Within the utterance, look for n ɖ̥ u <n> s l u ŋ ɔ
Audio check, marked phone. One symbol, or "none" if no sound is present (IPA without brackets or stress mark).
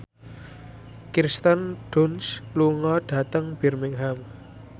n